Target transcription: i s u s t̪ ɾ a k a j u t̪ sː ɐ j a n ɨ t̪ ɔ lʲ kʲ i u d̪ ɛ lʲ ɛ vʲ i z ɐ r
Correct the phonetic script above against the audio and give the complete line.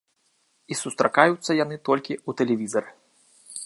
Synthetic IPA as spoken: i s u s t̪ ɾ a k a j u t̪ sː ɐ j a n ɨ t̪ ɔ lʲ kʲ i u t̪ ɛ lʲ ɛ vʲ i z ɐ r